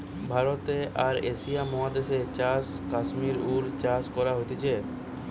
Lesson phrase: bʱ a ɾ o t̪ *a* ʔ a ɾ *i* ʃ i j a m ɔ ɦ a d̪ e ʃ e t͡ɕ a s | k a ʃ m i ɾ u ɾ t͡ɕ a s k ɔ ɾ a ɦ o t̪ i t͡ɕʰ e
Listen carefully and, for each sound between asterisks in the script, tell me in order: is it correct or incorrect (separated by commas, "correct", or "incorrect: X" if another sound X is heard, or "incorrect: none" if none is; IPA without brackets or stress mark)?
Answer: incorrect: e, incorrect: e